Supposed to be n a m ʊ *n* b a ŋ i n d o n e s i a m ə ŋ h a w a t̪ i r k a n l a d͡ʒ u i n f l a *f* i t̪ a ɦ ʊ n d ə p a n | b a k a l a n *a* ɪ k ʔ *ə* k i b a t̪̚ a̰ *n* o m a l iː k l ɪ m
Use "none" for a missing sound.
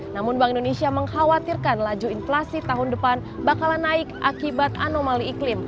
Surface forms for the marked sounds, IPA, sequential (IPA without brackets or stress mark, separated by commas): n, s, a, a, n